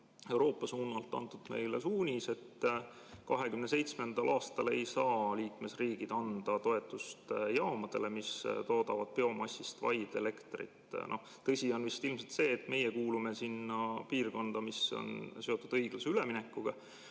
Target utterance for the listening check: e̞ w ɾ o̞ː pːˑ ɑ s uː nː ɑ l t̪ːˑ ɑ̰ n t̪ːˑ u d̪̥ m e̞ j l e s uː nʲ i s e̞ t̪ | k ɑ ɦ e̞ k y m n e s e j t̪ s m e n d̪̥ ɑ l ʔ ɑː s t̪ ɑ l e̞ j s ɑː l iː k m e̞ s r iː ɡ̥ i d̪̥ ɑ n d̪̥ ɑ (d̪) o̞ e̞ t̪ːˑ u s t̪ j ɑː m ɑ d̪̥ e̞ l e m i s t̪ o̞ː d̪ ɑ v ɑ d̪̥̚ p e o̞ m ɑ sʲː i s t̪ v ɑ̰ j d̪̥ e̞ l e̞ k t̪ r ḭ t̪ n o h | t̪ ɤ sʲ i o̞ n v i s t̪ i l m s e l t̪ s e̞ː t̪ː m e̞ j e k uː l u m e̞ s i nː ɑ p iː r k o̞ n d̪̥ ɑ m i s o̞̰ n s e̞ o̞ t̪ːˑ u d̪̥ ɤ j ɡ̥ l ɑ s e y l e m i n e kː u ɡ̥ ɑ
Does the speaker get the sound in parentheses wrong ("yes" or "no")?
yes